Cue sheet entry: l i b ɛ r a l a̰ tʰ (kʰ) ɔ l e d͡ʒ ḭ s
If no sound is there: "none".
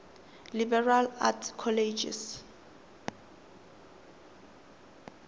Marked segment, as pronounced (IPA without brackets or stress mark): kʰ